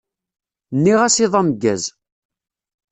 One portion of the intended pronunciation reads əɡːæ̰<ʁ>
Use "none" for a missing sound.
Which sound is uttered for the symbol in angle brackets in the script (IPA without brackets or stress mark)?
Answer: z